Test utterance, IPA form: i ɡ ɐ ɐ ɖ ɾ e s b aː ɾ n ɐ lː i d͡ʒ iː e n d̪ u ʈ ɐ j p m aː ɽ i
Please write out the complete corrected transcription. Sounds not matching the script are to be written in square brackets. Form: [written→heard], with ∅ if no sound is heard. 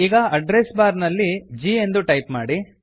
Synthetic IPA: [i→iː] ɡ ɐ ɐ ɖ ɾ e s b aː ɾ n ɐ lː i d͡ʒ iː e n d̪ u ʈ ɐ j p m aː ɽ i